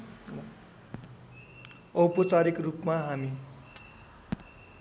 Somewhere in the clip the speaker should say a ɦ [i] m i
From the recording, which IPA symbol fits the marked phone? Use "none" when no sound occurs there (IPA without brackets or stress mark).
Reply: a